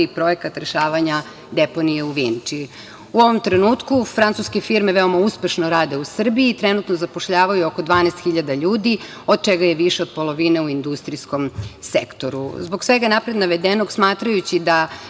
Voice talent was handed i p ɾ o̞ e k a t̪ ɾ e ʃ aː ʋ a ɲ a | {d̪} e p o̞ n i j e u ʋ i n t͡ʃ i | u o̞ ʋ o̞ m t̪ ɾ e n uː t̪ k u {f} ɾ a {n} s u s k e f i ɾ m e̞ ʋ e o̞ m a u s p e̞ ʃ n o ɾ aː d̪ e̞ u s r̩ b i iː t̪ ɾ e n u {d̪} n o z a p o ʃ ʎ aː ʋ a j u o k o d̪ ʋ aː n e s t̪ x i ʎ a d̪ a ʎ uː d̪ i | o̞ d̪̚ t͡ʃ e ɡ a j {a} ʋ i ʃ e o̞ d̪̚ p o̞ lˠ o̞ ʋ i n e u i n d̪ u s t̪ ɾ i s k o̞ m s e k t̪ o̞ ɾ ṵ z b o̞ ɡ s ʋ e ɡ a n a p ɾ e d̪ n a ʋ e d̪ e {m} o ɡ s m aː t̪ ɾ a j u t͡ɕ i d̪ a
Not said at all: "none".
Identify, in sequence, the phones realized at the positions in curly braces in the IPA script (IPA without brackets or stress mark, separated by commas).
d̪, f, n, t̪, e, n